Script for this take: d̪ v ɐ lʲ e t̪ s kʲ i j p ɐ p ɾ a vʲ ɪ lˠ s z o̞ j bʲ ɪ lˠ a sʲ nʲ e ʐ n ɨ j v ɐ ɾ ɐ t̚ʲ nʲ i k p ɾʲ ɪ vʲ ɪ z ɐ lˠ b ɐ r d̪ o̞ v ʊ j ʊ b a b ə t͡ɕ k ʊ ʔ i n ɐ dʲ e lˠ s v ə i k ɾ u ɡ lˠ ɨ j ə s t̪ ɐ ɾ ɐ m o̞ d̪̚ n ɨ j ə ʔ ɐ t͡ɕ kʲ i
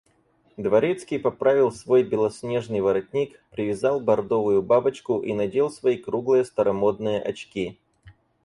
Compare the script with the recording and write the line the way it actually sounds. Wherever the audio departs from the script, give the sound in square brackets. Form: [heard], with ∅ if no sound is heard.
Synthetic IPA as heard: d̪ v ɐ [ɾʲ] e t̪ s kʲ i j p ɐ p ɾ a vʲ ɪ lˠ s [v] o̞ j bʲ ɪ lˠ [ɐ] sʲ nʲ e ʐ n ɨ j v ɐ ɾ ɐ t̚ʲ nʲ i k p ɾʲ ɪ vʲ ɪ z [ɑ] lˠ b ɐ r d̪ o̞ v ʊ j ʊ b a b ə t͡ɕ k ʊ ʔ i n ɐ dʲ e lˠ s v [ɐ] i k ɾ u ɡ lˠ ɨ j ə s t̪ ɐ ɾ ɐ m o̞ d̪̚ n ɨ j ə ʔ ɐ t͡ɕ kʲ i